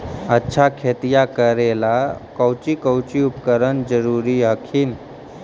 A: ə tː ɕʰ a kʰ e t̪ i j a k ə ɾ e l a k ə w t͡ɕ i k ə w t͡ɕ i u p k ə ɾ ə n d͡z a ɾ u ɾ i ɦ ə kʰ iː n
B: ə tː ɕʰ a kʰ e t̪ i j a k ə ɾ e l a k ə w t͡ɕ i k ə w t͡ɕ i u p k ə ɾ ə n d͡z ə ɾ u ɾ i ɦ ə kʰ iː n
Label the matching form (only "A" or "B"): B